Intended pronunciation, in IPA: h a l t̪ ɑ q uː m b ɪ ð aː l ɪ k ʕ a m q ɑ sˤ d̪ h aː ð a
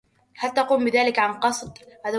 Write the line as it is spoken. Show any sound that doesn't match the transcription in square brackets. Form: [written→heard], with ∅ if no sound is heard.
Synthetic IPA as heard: h a l t̪ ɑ q uː m b ɪ ð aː l ɪ k ʕ a [m→n] q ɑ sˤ d̪ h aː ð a